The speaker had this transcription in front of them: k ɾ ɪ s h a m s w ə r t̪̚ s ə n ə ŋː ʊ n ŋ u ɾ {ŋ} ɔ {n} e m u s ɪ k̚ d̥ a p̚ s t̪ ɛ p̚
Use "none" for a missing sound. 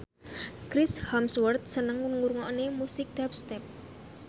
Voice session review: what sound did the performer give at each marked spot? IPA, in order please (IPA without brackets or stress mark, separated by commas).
ŋ, n